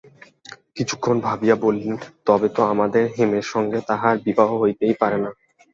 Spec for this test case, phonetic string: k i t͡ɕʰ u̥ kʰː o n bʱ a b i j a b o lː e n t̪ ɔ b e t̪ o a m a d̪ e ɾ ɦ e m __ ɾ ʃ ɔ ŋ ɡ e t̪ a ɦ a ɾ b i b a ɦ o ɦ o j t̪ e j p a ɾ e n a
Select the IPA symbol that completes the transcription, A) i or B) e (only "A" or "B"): B